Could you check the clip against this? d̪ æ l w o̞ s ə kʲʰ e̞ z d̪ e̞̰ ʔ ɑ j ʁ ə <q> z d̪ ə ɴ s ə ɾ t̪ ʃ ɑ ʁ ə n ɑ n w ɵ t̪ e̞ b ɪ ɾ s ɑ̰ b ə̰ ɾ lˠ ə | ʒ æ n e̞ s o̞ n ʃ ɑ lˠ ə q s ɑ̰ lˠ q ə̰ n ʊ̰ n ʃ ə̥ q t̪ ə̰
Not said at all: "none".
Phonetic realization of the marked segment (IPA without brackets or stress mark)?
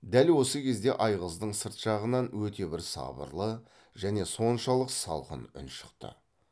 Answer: none